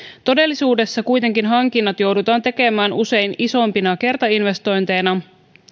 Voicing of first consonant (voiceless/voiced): voiceless